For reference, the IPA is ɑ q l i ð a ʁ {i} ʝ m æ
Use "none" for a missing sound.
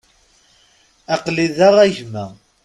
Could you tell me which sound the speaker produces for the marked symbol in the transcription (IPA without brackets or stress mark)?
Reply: æ